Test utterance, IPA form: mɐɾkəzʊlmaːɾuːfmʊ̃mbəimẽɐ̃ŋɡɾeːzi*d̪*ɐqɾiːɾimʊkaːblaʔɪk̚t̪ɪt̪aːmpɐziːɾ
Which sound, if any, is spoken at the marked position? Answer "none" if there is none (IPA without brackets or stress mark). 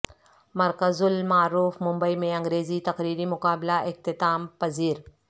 t̪